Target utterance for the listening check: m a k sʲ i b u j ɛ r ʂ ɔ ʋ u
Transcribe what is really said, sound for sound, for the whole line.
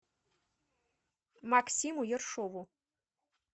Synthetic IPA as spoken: m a k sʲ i m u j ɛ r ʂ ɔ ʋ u